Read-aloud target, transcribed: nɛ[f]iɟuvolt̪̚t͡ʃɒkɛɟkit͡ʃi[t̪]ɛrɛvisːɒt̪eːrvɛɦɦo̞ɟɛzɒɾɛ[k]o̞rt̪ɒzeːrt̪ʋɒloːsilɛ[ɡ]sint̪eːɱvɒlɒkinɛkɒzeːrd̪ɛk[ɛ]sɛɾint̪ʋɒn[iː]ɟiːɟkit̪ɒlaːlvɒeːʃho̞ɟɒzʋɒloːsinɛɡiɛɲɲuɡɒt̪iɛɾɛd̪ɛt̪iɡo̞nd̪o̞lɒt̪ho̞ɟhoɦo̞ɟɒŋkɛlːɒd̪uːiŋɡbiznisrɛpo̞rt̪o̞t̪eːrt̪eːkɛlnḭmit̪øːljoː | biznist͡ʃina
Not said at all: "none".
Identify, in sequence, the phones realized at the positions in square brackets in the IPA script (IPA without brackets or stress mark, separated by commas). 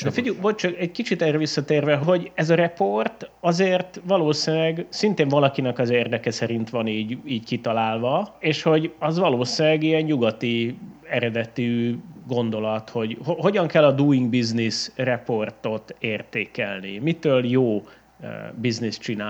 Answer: f, t̪, p, ɡ, ɛ, iː